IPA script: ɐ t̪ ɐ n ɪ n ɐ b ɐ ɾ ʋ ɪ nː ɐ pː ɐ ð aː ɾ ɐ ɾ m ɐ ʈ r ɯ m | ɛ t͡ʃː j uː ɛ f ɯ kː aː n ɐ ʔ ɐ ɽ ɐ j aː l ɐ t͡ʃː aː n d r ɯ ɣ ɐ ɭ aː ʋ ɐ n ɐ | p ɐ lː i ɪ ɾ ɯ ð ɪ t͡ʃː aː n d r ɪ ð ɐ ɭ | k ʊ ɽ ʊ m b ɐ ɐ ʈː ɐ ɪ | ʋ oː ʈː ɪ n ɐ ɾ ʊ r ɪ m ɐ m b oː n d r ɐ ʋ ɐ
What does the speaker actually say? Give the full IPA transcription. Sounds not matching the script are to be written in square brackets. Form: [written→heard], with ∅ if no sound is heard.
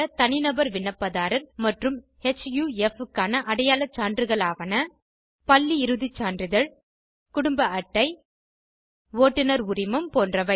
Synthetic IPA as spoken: ɐ t̪ ɐ n ɪ n ɐ b ɐ ɾ ʋ ɪ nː ɐ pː ɐ ð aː ɾ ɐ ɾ m ɐ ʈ r ɯ m | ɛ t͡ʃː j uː ɛ f ɯ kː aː n ɐ ʔ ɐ ɽ ɐ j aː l ɐ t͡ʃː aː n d r ɯ ɣ ɐ ɭ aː ʋ ɐ n ɐ | p ɐ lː i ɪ ɾ ɯ ð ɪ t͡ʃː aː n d r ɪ ð ɐ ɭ | k ʊ ɽ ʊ m b ɐ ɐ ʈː ɐ ɪ | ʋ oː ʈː ɪ n ɐ ɾ ʊ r ɪ m ɐ m [b→p] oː n d r ɐ ʋ ɐ